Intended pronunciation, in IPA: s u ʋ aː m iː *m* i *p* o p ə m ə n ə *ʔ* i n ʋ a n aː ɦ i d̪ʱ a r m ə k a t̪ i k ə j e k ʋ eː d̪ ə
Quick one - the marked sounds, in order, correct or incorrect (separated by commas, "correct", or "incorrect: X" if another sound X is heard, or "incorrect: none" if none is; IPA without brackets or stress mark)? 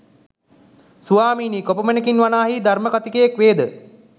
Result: incorrect: n, incorrect: k, incorrect: k